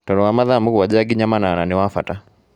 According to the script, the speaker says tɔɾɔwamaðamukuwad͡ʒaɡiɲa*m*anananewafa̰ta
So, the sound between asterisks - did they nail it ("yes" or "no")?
yes